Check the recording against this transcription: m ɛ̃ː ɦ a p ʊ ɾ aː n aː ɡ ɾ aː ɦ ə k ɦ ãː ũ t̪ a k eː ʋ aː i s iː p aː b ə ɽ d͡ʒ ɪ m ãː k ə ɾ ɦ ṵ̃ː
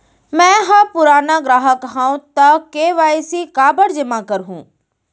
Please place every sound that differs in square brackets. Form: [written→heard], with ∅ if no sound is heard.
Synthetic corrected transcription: m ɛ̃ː ɦ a p ʊ ɾ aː n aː ɡ ɾ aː ɦ ə k ɦ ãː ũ t̪ a k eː ʋ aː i s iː [p→k] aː b ə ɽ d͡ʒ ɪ m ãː k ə ɾ ɦ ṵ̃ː